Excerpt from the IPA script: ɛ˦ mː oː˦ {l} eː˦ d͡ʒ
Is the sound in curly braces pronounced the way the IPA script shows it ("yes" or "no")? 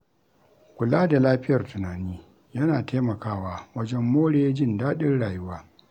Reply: no